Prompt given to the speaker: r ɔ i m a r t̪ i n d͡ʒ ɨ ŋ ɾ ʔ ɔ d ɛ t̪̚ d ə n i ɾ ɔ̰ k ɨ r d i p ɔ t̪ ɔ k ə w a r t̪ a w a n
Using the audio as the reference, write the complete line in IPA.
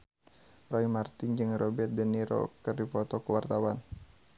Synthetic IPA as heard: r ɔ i m a r t̪ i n d͡ʒ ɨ ŋ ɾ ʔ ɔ b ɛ t̪̚ d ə n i ɾ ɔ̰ k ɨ r d i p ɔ t̪ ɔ k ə w a r t̪ a w a n